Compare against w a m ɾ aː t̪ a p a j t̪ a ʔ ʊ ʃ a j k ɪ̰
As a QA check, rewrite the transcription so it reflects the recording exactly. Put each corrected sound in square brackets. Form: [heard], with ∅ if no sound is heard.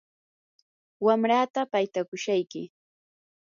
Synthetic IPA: w a m ɾ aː t̪ a p a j t̪ a [k] ʊ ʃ a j k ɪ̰

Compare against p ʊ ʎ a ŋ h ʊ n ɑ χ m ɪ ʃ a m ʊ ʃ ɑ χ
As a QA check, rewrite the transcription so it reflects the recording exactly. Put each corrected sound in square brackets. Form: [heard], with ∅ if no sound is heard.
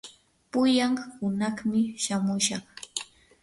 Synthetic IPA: p ʊ [j] a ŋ h ʊ n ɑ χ m ɪ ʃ a m ʊ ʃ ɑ χ

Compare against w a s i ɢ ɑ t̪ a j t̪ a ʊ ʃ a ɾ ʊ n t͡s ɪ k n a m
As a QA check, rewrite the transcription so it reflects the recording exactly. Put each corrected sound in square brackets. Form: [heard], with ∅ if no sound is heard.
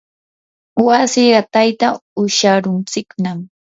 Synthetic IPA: w a s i ɢ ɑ t̪ a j t̪ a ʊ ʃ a ɾ ʊ n t͡s ɪ k n a m

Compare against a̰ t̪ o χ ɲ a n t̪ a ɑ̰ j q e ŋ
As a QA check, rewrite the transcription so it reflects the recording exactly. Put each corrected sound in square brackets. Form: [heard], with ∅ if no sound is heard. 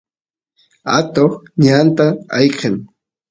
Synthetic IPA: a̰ t̪ o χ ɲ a n t̪ a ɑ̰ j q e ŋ

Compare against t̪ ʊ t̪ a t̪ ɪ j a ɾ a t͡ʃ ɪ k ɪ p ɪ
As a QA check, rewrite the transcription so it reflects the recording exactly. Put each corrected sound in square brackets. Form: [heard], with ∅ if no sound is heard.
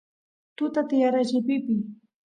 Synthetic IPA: t̪ ʊ t̪ a t̪ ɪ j a ɾ a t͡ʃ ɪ [p] ɪ p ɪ

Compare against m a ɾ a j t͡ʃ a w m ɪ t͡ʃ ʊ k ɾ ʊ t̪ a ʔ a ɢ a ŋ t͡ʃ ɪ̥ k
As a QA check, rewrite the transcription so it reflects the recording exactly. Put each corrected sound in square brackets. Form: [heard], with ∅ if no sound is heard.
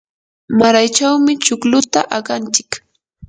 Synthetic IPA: m a ɾ a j t͡ʃ a w m ɪ t͡ʃ ʊ k [l] ʊ t̪ a ʔ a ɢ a [n] t͡ʃ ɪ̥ k

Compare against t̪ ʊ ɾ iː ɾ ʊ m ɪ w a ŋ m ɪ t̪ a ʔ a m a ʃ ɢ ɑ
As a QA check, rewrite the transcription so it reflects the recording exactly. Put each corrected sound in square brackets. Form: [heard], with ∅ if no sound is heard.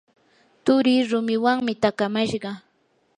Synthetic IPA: t̪ ʊ ɾ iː ɾ ʊ m ɪ w a ŋ m ɪ t̪ a [k] a m a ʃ ɢ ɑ

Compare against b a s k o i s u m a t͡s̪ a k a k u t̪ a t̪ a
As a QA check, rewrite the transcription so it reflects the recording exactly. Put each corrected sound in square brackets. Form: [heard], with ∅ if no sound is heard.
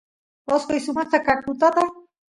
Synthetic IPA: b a s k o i s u m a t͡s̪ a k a k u t̪ a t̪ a

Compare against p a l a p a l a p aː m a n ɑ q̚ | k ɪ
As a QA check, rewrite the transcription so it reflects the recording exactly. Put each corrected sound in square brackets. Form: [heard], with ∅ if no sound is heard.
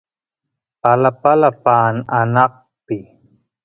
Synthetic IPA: p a l a p a l a p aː [n] a n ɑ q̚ | [p] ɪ

